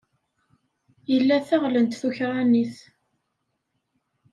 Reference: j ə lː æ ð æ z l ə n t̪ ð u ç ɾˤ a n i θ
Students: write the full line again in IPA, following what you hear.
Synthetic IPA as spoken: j ə lː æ θ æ ʁ l ə n t̪ θ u ç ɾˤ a n i θ

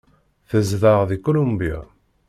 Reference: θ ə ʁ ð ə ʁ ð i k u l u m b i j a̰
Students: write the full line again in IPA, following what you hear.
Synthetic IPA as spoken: θ ə z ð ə ʁ ð i k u l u m b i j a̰

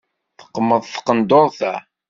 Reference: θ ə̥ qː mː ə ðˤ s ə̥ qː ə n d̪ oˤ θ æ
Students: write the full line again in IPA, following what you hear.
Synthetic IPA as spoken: θ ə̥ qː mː ə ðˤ θ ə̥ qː ə n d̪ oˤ θ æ

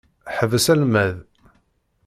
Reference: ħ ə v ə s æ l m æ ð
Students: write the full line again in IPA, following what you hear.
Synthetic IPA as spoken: ħ ə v ə s æ l m æ ð

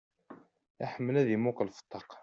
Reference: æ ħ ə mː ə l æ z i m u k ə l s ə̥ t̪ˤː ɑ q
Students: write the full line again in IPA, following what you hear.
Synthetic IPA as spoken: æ ħ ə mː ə l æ ð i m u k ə l f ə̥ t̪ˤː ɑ q

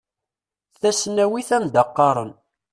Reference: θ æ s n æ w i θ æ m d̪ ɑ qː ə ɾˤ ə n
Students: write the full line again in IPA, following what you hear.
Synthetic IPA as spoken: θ æ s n æ w i θ æ m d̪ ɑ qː ɑ ɾˤ ə n

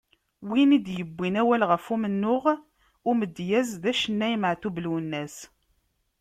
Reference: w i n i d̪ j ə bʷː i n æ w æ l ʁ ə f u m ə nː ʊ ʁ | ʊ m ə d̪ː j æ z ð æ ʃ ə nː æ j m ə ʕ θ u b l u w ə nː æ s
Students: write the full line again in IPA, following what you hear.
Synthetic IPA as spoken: w i n i d̪ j ə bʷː i n æ w æ l ʁ ə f u m ə nː ʊ ʁ | ʊ m ə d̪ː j æ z ð æ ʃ ə nː æ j m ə ʕ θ u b l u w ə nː æ s

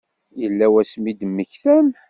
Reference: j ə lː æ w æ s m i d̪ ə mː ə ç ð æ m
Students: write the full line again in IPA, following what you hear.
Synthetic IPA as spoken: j ə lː æ w æ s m i d̪ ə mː ə ç θ æ m

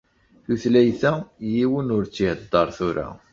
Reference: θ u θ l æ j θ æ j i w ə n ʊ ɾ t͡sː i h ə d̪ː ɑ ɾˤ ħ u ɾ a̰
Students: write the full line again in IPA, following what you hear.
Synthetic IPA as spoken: θ u θ l æ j θ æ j i w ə n ʊ ɾ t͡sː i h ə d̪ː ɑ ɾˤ θ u ɾ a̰

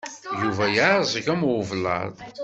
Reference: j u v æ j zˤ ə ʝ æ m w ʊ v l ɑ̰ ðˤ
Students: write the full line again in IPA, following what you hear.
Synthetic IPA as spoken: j u v æ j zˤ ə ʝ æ m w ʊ v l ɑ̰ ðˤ

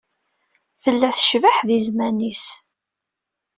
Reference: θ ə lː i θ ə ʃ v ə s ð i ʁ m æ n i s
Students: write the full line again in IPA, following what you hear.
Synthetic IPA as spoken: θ ə lː æ θ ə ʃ v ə ħ ð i z m æ n i s

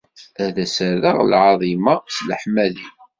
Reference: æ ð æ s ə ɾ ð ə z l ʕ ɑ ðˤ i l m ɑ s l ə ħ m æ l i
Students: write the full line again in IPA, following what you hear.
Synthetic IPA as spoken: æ ð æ s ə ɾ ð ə ʁ l ʕ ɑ ðˤ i m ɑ s l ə ħ m æ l i

